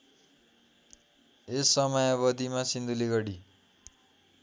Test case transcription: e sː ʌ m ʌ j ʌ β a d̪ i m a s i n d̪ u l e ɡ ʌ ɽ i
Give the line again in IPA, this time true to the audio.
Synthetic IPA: e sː ʌ m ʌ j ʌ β ʌ d̪ i m a s i n d̪ u l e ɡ ʌ ɽ i